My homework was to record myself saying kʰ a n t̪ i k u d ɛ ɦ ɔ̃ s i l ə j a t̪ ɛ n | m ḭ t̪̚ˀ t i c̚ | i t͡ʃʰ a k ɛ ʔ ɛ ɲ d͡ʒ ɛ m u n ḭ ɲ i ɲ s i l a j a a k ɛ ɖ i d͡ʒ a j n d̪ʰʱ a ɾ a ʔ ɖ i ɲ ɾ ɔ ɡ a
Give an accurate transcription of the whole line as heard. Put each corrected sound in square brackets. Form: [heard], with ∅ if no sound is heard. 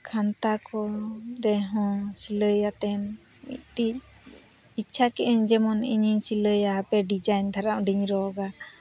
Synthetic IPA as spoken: kʰ a n t̪ [a] k [ɔ] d ɛ ɦ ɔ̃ s i l ə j a t̪ ɛ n | m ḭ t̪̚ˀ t i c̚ | i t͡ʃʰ a k ɛ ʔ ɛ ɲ d͡ʒ ɛ m [ɔ] n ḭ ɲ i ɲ s i l [ə] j a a [p] ɛ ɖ i d͡ʒ a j n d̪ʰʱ a ɾ a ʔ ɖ i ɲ ɾ ɔ ɡ a

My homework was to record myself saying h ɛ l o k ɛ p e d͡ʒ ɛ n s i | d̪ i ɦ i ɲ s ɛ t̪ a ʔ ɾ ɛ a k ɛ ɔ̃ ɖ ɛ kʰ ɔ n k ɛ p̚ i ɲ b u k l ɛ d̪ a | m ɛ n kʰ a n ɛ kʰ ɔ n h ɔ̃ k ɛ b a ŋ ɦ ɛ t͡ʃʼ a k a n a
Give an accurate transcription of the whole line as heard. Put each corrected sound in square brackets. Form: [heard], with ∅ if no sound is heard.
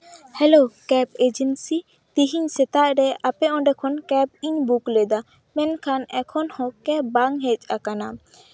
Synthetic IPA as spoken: h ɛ l o k ɛ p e d͡ʒ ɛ n s i | [t̪] i ɦ i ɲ s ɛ t̪ a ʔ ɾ ɛ a [p] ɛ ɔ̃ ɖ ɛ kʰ ɔ n k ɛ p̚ i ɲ b u k l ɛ d̪ a | m ɛ n kʰ a n ɛ kʰ ɔ n h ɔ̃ k ɛ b a ŋ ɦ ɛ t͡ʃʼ a k a n a

